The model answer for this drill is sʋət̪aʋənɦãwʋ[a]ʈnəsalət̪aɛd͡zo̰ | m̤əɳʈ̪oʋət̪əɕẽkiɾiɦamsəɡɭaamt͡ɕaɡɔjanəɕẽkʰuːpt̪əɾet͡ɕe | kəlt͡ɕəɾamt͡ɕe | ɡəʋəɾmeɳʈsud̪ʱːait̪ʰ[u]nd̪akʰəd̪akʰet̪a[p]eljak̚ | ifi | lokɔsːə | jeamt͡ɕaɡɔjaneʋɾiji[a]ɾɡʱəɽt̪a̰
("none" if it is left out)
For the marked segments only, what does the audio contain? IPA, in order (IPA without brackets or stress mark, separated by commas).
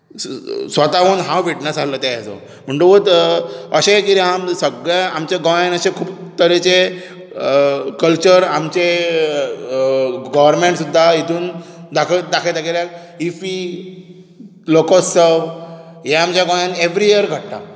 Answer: i, uː, k, ə